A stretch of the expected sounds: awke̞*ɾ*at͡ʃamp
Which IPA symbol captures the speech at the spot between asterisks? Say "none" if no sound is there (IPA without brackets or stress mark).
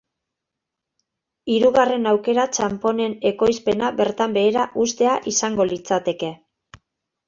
ɾ